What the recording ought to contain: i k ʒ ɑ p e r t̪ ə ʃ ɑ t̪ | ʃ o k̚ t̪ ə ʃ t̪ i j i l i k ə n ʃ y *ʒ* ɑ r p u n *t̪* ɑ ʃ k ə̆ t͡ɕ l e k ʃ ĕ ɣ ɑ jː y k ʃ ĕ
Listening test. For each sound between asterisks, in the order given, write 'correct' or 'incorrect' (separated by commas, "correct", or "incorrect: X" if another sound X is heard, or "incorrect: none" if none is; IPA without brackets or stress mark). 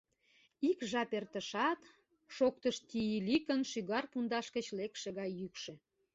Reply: incorrect: ɣ, incorrect: d̪